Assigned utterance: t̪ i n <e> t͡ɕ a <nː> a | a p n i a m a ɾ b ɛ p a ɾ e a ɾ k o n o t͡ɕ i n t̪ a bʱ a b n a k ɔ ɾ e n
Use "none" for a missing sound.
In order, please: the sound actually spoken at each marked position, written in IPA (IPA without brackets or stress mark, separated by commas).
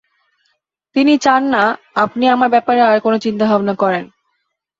i, nː